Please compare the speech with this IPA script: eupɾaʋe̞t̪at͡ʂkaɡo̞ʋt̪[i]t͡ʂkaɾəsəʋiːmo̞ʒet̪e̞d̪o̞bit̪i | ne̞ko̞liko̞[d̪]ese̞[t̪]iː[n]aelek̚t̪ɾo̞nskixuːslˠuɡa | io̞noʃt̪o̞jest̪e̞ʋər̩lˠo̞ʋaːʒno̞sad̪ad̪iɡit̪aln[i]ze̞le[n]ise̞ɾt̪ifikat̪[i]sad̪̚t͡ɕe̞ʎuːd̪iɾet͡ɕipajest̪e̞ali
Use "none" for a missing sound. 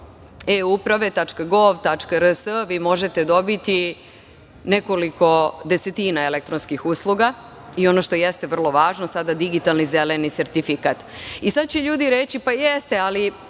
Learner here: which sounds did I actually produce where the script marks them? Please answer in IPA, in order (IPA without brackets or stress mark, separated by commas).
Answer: a, d̪, t̪, n, i, n, i